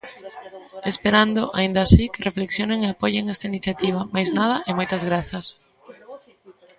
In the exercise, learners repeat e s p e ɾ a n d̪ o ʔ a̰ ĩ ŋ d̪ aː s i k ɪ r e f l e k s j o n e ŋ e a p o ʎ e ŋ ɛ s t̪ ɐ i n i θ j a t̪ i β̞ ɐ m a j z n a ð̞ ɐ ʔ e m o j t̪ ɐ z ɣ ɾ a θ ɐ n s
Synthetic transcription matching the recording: e s p e ɾ a n d̪ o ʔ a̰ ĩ n d̪ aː s i k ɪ r e f l e k s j o n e ŋ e a p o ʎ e ŋ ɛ s t̪ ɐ i n i θ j a t̪ i β̞ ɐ m a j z n a ð̞ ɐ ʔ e m o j t̪ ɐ z ɣ ɾ a θ ɐ s